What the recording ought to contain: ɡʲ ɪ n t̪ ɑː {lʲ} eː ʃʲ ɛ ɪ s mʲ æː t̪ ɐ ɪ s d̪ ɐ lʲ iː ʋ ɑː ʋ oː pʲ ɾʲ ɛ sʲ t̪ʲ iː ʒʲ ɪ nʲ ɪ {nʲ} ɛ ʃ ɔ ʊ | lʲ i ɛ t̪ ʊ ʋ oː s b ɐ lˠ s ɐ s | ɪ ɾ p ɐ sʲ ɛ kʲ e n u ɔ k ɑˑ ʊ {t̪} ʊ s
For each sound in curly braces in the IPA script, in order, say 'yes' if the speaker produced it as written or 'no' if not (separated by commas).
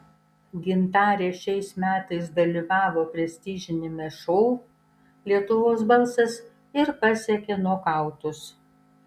no, no, yes